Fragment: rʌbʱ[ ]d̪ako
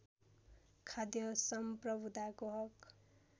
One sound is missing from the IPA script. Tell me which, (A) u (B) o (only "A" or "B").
A